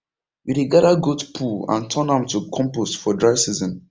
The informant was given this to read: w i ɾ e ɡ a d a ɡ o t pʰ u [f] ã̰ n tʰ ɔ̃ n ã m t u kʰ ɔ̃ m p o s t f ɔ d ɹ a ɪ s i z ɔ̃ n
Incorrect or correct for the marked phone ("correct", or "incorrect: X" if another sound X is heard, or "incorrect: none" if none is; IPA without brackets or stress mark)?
incorrect: none